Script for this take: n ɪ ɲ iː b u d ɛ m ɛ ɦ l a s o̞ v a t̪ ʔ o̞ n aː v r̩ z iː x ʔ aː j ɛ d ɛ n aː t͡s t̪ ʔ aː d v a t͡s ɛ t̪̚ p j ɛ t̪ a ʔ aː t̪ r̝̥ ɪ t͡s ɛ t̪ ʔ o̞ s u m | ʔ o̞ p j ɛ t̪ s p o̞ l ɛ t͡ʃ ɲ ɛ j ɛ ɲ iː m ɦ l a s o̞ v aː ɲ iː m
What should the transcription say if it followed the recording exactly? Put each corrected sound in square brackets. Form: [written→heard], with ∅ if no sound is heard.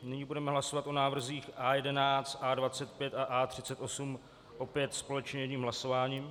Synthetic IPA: n ɪ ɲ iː b u d ɛ m ɛ ɦ l a s o̞ v a t̪ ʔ o̞ n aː v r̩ z iː x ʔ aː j ɛ d ɛ n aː t͡s t̪ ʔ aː d v a t͡s ɛ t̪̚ p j ɛ t̪ a ʔ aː t̪ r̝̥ ɪ t͡s ɛ t̪ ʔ o̞ s u m | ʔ o̞ p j ɛ t̪ s p o̞ l ɛ t͡ʃ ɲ ɛ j ɛ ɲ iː m ɦ l a s o̞ v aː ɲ iː m